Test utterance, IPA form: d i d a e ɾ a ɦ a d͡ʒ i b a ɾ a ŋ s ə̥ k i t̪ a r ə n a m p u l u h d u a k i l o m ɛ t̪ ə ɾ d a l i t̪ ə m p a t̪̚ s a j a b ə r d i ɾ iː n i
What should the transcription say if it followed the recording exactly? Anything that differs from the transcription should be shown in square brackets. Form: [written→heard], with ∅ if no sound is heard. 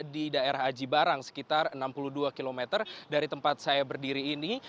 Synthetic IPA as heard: d i d a e ɾ a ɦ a d͡ʒ i b a ɾ a ŋ s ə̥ k i t̪ a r ə n a m p u l u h d u a k i l o m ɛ t̪ ə [ɾ→r] d a [l→ɾ] i t̪ ə m p a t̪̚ s a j a b ə r d i ɾ iː n i